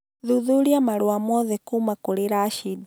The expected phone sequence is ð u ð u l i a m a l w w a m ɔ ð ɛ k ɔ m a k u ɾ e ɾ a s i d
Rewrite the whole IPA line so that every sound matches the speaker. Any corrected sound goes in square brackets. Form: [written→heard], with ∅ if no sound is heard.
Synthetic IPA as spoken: ð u ð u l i a m a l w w a m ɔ ð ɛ k [ɔ→u] m a k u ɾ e ɾ a [s→ʃ] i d

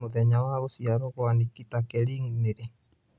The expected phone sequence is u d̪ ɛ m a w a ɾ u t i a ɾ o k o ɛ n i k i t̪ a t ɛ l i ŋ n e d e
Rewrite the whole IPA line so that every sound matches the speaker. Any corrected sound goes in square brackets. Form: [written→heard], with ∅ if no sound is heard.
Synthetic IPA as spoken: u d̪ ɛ [m→ɲ] a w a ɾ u [t→s] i a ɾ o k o [ɛ→a] n i k i t̪ a [t→k] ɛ l i ŋ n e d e

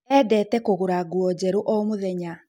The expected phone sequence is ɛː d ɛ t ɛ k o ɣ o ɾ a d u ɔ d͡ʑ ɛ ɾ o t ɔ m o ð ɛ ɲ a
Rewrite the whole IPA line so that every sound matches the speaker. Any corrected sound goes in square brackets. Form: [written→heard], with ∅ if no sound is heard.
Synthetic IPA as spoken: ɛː d ɛ t ɛ k o ɣ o ɾ a [d→ɡ] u ɔ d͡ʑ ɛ ɾ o [t→ʔ] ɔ m o ð ɛ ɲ a

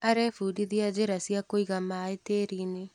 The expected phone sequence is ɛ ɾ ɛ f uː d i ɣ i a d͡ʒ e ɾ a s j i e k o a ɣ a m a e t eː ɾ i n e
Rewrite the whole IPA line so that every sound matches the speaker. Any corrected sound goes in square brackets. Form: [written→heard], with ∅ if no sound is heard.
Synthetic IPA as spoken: [ɛ→a] ɾ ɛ f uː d i [ɣ→ð] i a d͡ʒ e ɾ a s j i [e→a] k o [a→i] ɣ a m a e t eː ɾ i n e

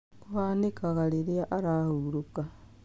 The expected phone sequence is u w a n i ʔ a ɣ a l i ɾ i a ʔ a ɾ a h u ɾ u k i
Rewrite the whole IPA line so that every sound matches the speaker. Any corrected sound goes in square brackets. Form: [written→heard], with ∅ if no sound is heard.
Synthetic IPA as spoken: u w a n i [ʔ→k] a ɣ a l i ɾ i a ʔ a ɾ a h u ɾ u k [i→a]

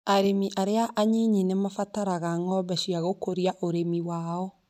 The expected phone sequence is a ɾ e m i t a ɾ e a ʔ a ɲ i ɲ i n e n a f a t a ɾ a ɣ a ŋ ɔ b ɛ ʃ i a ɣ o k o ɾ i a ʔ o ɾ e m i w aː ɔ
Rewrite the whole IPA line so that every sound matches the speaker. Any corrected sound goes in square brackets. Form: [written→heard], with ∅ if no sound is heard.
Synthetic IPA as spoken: a ɾ e m i [t→ʔ] a ɾ e a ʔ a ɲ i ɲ i n e [n→m] a f a t a ɾ a ɣ a ŋ ɔ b ɛ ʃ i a ɣ o k o ɾ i a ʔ o ɾ e m i w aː ɔ

